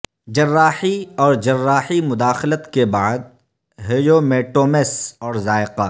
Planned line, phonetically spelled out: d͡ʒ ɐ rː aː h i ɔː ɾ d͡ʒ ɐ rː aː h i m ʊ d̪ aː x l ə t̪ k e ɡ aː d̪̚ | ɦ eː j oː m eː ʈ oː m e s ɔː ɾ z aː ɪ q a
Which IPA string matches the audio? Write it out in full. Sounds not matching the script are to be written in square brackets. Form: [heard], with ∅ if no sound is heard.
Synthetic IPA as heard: d͡ʒ ɐ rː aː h i ɔː ɾ d͡ʒ ɐ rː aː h i m ʊ d̪ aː x l ə t̪ k e [b] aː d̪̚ | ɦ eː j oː m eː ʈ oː m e s ɔː ɾ z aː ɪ q a